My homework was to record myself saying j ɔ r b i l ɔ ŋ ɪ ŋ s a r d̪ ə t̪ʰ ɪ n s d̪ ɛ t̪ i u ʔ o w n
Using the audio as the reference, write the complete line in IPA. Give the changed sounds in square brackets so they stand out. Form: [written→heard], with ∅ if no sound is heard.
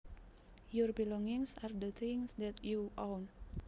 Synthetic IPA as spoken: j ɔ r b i l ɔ ŋ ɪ ŋ s a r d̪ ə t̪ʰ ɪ [n→ŋ] s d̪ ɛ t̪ [i→j] u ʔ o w n